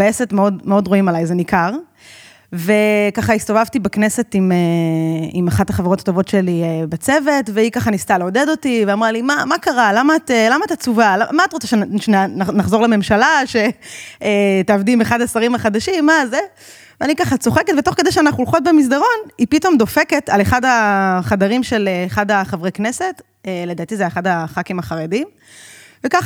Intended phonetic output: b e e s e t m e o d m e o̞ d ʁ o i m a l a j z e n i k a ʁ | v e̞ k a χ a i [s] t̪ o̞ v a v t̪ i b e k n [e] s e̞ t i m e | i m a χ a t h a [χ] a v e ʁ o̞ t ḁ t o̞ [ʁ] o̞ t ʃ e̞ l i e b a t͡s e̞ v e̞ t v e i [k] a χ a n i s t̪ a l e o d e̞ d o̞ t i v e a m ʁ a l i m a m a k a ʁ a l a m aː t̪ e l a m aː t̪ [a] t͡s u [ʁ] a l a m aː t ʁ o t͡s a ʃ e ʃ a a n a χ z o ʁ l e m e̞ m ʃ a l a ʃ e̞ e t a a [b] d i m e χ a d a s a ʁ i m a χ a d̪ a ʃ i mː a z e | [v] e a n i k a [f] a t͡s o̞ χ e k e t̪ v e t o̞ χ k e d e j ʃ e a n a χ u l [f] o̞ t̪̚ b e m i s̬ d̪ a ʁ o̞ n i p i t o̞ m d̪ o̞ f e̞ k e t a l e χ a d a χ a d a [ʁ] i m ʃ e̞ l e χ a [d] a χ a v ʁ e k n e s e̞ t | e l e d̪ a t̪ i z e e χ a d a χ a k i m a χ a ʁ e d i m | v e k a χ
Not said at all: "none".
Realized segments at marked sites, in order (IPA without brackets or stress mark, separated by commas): s, e, χ, v, k, a, v, v, v, χ, χ, ʁ, d